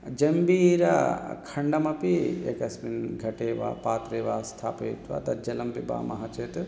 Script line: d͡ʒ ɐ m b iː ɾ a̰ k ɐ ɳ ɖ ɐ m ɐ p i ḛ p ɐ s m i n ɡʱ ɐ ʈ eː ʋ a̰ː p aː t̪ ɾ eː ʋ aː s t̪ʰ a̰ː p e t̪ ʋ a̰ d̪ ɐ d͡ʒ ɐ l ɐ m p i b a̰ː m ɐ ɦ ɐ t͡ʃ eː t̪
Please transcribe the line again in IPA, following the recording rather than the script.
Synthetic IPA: d͡ʒ ɐ m b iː ɾ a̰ kʰ ɐ ɳ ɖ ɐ m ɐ p i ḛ k ɐ s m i n ɡʱ ɐ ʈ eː ʋ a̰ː p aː t̪ ɾ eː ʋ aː s t̪ʰ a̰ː p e t̪ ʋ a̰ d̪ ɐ d͡ʒ ɐ l ɐ m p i b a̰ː m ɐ ɦ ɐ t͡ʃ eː t̪